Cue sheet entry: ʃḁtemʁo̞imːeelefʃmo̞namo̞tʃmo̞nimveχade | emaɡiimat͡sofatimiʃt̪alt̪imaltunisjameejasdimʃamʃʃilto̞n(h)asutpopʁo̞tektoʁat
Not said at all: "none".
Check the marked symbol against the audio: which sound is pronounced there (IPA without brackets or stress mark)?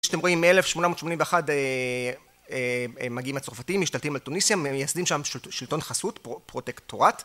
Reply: χ